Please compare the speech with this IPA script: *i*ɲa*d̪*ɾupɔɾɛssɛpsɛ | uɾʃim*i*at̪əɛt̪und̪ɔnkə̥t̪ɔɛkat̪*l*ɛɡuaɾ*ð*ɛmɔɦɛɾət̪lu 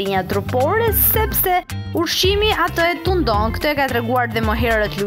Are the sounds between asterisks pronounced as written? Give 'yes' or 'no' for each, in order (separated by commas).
yes, no, yes, no, yes